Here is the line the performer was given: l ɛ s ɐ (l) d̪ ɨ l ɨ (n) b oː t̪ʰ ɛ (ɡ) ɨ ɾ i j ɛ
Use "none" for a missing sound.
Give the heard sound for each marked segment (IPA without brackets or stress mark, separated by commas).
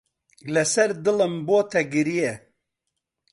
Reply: ɾ, m, ɡ